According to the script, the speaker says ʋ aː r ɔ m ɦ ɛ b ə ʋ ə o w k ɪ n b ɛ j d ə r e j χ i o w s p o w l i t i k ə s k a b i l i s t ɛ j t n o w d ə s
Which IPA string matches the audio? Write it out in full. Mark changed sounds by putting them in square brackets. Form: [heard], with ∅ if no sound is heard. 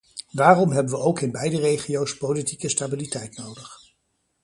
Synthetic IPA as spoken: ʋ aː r ɔ m ɦ ɛ b ə ʋ ə o w k ɪ n b ɛ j d ə r e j χ i o w s p o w l i t i k ə s [t] a b i l i [∅] t ɛ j t n o w d ə [χ]